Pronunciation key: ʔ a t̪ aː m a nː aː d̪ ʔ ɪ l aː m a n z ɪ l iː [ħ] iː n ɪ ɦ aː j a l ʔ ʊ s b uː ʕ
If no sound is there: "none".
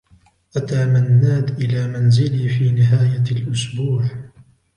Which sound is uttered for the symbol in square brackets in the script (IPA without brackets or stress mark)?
f